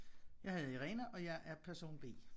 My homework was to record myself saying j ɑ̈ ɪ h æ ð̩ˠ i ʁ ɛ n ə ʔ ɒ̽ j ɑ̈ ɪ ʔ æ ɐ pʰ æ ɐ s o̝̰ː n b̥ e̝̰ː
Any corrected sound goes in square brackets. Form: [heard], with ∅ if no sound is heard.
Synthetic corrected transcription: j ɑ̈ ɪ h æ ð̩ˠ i ʁ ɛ n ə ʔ ɒ̽ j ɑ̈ ɪ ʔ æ ɐ pʰ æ ɐ s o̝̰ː n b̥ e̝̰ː